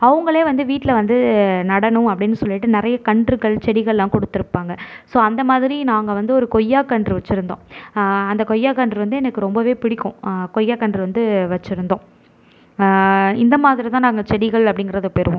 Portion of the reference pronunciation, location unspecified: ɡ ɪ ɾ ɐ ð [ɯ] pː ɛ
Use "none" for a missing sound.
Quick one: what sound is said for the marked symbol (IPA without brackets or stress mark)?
ɯ